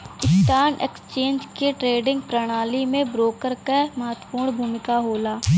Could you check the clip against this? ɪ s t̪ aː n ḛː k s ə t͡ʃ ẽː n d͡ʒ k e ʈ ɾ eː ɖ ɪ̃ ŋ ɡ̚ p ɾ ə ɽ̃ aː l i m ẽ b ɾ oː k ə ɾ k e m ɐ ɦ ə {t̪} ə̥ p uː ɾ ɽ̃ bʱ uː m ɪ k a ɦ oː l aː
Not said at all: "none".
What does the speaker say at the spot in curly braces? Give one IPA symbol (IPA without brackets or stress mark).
t̪